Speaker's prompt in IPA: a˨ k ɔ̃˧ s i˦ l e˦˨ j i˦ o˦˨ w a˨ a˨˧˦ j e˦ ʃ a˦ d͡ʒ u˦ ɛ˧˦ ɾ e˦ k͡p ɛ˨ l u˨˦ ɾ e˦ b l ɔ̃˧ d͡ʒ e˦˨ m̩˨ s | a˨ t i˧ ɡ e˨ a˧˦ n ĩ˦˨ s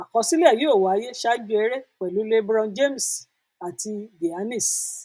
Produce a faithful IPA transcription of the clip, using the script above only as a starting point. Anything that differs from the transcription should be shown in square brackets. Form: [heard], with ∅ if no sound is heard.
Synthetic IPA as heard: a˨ k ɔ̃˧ s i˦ l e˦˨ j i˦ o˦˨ w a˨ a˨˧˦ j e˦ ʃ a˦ d͡ʒ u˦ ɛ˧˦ ɾ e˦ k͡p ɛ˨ l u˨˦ [l] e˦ b [ɾ] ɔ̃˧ d͡ʒ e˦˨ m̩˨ s | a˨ t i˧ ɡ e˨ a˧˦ n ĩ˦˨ s